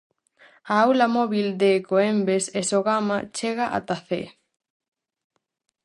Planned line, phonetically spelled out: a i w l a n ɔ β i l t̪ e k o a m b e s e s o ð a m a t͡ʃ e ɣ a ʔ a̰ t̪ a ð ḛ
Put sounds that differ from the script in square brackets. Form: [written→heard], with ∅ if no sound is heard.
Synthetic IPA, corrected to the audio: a [i→a] w l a [n→m] ɔ β i l [t̪→d̪] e k o [a→e] m b e s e s o [ð→ɣ] a m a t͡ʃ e ɣ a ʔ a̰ t̪ a [ð→θ] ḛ